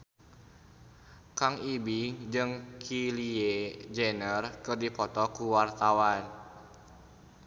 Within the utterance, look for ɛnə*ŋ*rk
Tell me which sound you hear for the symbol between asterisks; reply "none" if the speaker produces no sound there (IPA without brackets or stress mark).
none